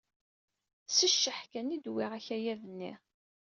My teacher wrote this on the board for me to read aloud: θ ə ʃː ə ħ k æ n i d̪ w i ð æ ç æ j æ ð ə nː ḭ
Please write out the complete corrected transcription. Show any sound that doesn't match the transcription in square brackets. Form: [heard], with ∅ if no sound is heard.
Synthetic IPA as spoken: [s] ə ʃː ə ħ k æ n i d̪ w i [ʁ] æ ç æ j æ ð ə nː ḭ